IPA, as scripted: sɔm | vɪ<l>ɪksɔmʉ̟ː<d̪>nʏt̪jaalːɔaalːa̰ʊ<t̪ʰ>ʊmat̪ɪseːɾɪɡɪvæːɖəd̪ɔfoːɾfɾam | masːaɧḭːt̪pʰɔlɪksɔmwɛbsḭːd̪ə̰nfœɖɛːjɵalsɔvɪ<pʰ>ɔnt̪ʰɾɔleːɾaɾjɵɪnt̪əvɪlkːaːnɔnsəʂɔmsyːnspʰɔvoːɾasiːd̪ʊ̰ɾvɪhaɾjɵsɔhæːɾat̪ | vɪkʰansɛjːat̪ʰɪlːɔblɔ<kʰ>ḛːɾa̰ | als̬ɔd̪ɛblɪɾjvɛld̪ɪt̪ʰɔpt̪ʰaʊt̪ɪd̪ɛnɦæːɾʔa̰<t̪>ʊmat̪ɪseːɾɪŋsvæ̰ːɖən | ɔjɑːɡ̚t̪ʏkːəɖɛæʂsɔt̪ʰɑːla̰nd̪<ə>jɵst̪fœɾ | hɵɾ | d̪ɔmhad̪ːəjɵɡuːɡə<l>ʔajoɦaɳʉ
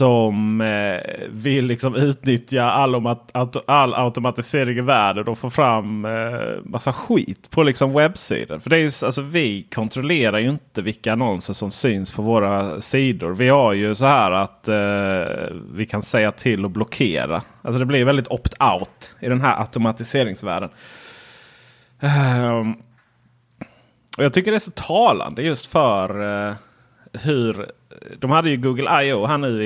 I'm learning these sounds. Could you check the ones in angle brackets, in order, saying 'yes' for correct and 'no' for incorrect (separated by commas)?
no, no, no, no, yes, yes, yes, yes